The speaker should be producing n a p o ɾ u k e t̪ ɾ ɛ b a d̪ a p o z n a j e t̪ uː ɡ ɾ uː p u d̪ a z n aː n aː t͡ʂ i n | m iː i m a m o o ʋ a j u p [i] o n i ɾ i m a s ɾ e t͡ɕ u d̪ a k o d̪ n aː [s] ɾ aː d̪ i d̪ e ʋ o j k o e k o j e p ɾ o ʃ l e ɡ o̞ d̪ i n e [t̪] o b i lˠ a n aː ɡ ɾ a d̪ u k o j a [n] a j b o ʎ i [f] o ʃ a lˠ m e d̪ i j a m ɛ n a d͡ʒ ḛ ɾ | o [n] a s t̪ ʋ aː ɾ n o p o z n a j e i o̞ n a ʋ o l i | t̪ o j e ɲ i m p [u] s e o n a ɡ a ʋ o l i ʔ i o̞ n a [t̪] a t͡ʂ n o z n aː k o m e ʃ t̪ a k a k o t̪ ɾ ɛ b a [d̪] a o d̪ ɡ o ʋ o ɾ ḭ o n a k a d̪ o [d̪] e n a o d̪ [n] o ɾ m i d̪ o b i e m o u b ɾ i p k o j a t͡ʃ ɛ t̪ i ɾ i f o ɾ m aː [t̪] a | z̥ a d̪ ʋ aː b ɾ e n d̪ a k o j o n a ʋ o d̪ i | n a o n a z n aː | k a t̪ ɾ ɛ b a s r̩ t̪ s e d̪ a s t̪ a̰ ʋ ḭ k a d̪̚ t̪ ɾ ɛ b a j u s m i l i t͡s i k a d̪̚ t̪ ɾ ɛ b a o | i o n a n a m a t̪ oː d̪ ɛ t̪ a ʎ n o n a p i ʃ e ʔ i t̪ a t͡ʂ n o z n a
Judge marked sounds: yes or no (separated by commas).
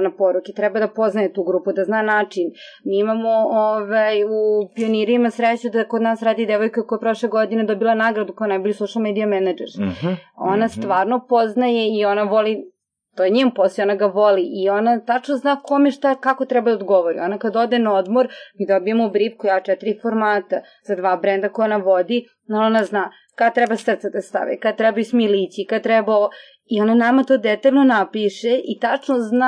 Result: yes, yes, no, yes, no, yes, no, yes, yes, yes, no, yes